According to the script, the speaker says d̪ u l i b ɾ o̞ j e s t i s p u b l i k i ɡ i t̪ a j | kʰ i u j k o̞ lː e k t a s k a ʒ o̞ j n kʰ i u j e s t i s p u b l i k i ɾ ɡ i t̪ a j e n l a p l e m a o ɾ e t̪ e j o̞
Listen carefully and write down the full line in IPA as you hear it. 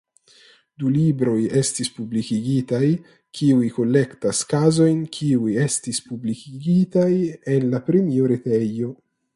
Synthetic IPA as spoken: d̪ u l i b ɾ o̞ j e s t i s p u b l i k i ɡ i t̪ a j | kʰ i u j k o̞ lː e k t a s k a z o̞ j n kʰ i u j e s t i s p u b l i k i ɡ i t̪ a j e n l a p ɾ e m i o ɾ e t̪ e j o̞